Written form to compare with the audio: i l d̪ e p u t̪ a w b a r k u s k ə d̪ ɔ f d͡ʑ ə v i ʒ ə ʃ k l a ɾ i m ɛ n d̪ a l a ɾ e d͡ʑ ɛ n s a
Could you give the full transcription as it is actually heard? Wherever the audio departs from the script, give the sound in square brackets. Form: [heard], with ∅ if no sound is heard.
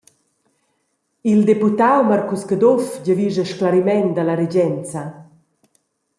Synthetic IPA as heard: i l d̪ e p u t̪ a w [m] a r k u s k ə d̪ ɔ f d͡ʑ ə v i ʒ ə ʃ k l a ɾ i m ɛ n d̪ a l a ɾ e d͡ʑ ɛ n [t͡s] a